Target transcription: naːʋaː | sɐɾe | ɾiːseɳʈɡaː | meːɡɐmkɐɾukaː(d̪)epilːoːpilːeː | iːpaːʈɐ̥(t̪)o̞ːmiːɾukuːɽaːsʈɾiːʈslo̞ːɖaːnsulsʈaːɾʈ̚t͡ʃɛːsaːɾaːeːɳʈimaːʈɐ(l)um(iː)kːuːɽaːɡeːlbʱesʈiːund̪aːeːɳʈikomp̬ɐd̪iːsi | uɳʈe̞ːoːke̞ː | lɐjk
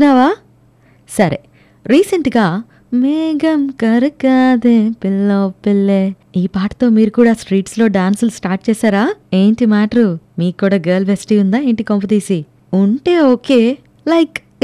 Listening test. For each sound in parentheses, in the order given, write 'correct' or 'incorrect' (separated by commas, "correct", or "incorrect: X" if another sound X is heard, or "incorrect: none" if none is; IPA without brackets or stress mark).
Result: correct, correct, incorrect: ɾ, correct